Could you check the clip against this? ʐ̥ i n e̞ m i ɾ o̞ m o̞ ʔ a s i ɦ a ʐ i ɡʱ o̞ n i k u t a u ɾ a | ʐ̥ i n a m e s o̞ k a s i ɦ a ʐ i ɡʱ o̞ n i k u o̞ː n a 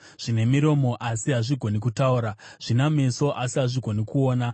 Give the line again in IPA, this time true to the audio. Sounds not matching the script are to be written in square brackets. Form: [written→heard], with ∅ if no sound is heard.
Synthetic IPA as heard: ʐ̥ i n e̞ m i ɾ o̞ m o̞ ʔ a s i ɦ a ʐ i ɡʱ o̞ n i k u t a u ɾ a | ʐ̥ i n a m e s o̞ [k→ʔ] a s i ɦ a ʐ i ɡʱ o̞ n i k u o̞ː n a